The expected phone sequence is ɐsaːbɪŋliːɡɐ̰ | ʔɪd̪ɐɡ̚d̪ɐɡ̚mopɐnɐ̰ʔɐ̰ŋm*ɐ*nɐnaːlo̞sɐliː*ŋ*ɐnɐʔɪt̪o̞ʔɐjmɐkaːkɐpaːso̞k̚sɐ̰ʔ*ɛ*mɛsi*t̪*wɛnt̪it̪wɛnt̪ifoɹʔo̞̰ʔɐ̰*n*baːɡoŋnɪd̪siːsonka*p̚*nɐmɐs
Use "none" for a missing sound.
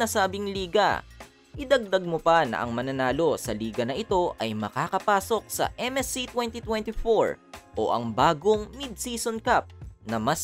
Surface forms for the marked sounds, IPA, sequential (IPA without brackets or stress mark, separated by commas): ɐ, ɡ, ɛ, t̪, ŋ, p̚